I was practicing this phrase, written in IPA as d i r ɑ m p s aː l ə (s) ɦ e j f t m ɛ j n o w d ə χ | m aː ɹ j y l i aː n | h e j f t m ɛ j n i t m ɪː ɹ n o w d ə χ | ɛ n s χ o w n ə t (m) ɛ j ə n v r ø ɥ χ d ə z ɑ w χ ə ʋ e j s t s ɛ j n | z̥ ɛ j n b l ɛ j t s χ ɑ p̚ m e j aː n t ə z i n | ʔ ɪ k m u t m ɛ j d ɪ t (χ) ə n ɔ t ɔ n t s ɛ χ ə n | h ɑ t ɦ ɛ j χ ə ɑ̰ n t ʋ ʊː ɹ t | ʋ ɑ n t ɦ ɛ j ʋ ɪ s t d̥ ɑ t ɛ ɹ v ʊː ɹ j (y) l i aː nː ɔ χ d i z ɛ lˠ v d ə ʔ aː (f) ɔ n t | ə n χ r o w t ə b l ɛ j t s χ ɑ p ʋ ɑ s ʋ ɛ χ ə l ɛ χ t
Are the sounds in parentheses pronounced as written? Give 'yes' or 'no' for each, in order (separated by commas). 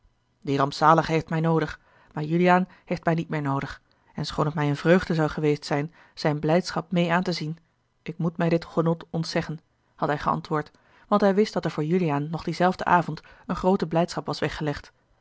no, yes, yes, yes, no